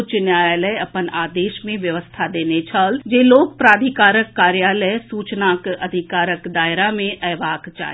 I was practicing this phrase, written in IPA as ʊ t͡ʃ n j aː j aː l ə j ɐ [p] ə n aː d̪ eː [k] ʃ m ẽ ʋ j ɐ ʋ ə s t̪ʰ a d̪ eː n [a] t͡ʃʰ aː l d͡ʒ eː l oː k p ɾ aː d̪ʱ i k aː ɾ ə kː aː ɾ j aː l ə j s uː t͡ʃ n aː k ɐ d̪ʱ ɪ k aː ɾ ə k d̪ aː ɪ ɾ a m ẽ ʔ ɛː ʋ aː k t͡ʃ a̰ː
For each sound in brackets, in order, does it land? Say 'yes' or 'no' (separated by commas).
yes, no, no